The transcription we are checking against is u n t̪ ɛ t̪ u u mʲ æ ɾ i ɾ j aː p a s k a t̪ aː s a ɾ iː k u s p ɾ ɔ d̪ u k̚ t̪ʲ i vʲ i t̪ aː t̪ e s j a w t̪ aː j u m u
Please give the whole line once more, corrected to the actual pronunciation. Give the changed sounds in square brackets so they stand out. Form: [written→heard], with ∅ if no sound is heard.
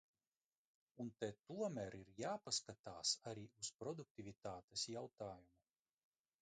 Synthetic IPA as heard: u n t̪ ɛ t̪ u [u→ɔ] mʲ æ ɾ i ɾ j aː p a s k a t̪ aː s a ɾ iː [k→∅] u s p ɾ ɔ d̪ u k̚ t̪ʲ i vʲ i t̪ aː t̪ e s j a w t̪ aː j u m u